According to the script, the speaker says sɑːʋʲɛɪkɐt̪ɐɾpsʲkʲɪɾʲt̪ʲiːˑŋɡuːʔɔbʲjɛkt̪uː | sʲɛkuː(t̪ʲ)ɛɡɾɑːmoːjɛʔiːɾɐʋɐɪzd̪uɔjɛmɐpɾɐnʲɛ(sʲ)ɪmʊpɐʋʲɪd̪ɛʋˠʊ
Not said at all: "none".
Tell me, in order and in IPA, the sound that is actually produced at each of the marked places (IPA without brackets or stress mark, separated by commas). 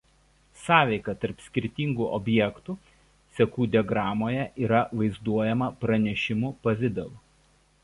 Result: d̪ʲ, ʃʲ